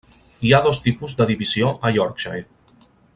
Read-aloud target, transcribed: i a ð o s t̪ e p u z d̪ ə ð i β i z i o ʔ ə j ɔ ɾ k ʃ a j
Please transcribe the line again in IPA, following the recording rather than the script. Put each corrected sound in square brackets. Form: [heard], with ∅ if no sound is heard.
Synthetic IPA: i a ð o s t̪ [i] p u z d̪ ə ð i β i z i o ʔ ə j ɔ ɾ k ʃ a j